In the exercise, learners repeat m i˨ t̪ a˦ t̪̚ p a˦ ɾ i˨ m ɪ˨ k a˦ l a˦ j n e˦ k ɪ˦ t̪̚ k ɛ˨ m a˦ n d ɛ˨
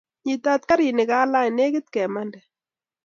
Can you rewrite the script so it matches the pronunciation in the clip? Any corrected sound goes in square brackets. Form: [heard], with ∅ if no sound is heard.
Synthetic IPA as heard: [ɲ] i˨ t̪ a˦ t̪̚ [k] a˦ ɾ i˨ [n] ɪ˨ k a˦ l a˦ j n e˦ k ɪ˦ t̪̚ k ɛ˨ m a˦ n d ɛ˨